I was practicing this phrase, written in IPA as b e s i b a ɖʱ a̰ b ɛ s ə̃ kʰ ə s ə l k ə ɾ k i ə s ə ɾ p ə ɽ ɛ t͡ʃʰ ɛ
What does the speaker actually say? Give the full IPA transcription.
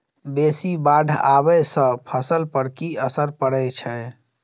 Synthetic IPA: b e s i b a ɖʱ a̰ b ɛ s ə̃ pʰ ə s ə l p ə ɾ k i ə s ə ɾ p ə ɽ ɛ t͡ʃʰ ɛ